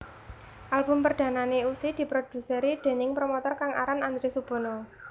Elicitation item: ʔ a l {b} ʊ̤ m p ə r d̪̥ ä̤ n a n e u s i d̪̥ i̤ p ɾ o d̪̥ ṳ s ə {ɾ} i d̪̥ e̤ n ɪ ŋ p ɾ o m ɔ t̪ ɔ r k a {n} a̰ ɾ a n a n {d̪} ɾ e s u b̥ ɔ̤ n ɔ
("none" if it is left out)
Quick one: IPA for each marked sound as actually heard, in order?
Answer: b, ɾ, ŋ, d̪

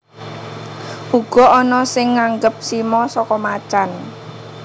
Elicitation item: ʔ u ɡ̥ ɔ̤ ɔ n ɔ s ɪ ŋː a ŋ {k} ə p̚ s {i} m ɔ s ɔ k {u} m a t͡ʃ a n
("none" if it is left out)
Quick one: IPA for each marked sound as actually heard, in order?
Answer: ɡ, i, ɔ

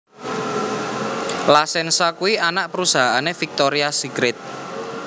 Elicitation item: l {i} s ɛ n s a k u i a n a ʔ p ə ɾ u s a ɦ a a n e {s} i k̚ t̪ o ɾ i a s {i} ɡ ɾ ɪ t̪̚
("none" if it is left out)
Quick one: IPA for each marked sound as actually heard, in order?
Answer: a, f, i

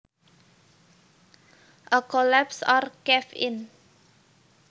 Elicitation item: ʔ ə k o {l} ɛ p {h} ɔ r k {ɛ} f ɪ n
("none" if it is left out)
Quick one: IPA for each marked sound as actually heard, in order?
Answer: l, s, ɛ

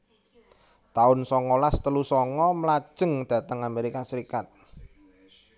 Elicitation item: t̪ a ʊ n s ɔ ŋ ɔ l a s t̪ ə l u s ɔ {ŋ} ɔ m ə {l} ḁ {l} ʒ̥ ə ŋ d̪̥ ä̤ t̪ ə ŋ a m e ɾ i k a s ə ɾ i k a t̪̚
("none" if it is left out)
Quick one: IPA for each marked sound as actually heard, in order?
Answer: ŋ, l, none

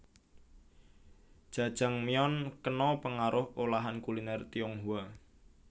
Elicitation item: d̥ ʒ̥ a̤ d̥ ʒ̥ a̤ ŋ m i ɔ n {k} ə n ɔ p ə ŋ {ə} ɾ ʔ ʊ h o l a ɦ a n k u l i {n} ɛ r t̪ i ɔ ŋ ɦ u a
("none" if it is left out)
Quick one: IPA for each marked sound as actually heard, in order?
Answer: k, a, n

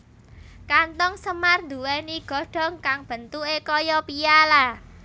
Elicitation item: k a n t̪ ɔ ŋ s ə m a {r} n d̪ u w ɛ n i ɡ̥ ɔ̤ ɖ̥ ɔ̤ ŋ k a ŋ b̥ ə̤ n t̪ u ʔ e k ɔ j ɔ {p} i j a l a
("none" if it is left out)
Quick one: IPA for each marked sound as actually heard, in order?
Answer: r, p

